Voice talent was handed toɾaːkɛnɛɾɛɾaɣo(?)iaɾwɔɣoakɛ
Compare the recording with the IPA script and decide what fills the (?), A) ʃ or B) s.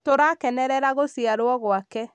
B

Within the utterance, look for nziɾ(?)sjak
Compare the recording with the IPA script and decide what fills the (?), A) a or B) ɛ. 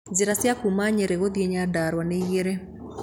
A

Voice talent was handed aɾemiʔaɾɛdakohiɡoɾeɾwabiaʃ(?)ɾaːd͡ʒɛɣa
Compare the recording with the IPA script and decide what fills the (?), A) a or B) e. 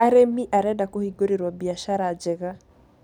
A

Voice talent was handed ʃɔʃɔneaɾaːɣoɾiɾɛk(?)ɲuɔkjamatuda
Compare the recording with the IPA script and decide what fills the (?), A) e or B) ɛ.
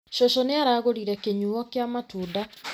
A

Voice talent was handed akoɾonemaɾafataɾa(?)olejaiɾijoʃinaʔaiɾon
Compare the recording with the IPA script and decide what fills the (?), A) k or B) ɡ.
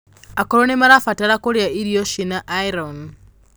A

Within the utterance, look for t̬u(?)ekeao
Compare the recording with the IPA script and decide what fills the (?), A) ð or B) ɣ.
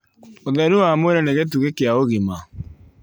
B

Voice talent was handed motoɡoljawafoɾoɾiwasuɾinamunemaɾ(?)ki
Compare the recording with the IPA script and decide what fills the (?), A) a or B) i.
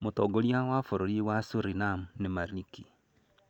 B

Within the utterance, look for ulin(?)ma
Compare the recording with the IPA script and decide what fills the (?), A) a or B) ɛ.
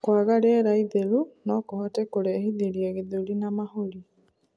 A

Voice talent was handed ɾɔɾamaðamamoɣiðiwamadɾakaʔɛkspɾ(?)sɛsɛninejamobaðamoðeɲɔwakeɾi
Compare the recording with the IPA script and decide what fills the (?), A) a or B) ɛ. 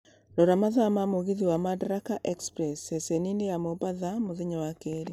B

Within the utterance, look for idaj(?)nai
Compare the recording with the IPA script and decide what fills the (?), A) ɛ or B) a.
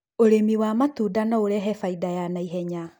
B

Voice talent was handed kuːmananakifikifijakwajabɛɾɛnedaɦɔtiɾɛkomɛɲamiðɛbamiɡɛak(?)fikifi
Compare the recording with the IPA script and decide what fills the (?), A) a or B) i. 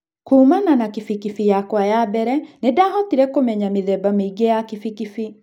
B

